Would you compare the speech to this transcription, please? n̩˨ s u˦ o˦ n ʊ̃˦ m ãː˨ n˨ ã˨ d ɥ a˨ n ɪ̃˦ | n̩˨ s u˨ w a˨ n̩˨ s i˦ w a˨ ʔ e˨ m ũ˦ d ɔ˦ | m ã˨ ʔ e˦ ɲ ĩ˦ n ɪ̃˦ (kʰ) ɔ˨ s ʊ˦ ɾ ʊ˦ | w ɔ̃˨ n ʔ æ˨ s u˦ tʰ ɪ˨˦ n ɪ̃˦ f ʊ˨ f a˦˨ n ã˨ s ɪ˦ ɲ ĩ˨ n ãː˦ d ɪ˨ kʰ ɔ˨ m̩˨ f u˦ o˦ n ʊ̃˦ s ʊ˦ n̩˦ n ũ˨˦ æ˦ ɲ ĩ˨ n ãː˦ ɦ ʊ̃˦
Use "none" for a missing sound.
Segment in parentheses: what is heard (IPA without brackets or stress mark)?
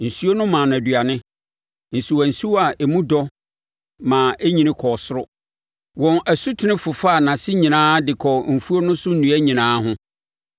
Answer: kʰ